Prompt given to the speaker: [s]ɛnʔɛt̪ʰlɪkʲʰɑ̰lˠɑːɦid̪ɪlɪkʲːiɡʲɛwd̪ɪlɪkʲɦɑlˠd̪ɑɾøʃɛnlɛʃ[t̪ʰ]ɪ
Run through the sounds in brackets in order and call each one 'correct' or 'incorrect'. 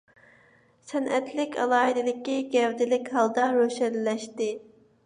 correct, incorrect

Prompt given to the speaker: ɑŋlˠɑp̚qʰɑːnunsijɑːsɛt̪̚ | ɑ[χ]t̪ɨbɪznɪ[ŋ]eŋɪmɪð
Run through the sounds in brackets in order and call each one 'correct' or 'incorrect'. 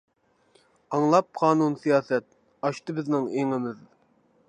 incorrect, correct

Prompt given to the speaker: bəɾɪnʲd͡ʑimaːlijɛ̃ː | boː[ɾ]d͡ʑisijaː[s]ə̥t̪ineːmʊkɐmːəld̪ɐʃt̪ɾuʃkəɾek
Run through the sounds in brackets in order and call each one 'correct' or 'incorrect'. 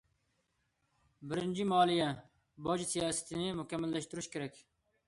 incorrect, correct

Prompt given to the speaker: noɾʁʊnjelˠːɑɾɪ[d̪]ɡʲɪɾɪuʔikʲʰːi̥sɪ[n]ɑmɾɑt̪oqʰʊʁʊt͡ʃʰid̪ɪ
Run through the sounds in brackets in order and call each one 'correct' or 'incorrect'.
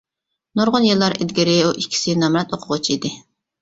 correct, correct

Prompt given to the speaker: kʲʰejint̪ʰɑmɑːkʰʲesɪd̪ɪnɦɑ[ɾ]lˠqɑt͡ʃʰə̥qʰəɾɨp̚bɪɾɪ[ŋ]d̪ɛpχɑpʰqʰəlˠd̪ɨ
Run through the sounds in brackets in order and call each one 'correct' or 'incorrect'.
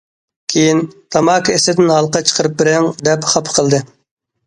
incorrect, correct

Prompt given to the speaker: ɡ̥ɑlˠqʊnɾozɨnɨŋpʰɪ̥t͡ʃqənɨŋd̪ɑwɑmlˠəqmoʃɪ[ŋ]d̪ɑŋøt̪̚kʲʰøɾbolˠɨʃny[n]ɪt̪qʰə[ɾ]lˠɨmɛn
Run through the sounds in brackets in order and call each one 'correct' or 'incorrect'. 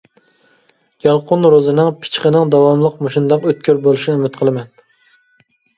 incorrect, incorrect, incorrect

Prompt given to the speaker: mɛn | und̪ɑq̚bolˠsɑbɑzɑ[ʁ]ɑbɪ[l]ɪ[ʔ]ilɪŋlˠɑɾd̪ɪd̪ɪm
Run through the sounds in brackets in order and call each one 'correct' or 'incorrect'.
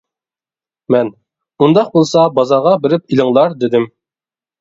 correct, incorrect, incorrect

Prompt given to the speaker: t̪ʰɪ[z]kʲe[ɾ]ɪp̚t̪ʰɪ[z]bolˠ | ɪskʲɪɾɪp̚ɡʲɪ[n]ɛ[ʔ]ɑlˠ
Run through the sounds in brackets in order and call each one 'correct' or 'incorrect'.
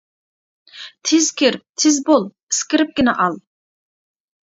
correct, correct, correct, correct, correct

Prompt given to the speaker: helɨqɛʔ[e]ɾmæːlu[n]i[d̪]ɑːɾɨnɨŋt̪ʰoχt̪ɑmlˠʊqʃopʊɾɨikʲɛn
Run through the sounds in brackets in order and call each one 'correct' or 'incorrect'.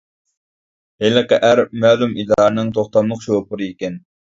incorrect, incorrect, correct

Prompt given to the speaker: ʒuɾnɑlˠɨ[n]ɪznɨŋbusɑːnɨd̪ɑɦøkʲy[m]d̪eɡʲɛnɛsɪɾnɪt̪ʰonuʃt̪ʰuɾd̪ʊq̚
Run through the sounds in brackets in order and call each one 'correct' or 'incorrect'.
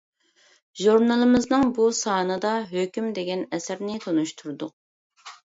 incorrect, correct

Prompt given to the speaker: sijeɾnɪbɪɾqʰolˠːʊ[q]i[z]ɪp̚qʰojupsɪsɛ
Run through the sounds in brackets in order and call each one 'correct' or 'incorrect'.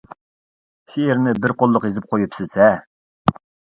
correct, correct

